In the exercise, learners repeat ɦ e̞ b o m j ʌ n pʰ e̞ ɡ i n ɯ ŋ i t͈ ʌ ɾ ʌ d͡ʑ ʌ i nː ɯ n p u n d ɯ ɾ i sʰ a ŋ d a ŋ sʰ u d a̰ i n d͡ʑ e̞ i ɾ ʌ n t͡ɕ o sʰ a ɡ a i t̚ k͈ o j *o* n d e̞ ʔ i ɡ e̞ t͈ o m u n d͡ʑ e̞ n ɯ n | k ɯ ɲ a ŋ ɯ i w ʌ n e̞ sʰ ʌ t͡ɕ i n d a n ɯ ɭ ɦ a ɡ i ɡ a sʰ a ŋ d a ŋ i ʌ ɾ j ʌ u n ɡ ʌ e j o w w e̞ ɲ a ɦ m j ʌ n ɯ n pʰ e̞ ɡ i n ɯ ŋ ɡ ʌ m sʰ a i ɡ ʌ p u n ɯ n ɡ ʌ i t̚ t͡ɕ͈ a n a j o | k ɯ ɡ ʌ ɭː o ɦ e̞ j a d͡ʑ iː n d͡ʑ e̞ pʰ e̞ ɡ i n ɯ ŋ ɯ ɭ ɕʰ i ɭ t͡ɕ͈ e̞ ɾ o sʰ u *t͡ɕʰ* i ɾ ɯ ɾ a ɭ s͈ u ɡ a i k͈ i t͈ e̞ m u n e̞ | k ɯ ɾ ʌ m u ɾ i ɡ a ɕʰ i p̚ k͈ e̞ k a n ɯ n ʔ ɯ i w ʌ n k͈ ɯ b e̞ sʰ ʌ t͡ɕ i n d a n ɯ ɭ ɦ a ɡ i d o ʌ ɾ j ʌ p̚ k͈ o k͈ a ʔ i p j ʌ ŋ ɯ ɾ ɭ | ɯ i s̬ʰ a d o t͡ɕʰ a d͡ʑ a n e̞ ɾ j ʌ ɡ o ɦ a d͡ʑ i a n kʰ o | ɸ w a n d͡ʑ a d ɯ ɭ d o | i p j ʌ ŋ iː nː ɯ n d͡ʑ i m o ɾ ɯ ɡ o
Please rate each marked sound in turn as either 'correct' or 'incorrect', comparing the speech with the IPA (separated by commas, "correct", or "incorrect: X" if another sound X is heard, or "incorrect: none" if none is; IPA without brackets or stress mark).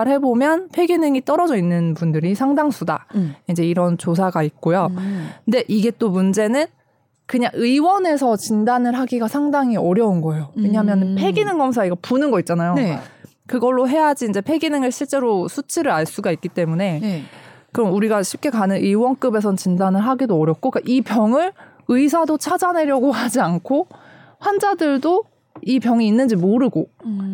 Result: correct, correct